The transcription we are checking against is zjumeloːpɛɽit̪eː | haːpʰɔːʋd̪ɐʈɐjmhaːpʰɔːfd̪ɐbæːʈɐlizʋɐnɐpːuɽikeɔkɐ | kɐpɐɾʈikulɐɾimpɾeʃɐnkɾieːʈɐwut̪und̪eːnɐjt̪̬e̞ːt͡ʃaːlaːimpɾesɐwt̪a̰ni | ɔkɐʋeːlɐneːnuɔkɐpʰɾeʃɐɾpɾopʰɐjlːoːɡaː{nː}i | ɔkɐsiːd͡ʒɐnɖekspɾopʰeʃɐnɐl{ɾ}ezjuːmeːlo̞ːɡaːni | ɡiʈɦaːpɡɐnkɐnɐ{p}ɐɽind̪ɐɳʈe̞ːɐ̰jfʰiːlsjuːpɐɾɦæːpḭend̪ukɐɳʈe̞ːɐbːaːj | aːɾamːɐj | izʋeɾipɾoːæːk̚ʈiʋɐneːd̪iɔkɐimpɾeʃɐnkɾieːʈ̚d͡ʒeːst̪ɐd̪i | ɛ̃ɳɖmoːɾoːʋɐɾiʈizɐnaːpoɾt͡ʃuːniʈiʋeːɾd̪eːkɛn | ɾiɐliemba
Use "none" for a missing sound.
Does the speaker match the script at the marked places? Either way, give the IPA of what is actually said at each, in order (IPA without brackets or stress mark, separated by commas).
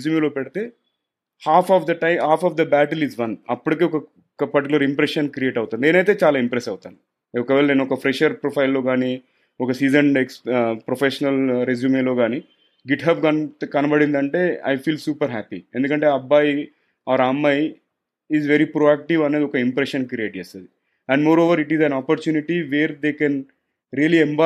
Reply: n, ɾ, b